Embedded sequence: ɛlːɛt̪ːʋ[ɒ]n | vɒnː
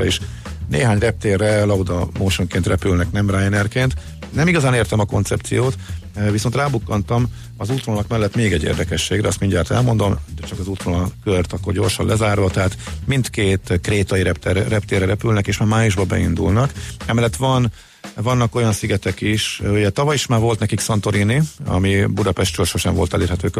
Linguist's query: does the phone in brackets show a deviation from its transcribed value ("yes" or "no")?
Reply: no